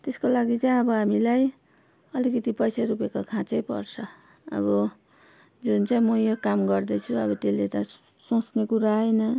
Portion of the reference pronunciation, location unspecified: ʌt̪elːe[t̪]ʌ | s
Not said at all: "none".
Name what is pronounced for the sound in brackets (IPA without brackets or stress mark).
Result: t̪